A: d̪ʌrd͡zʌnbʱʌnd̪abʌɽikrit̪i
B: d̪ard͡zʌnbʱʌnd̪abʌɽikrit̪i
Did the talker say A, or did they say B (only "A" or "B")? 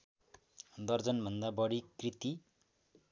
A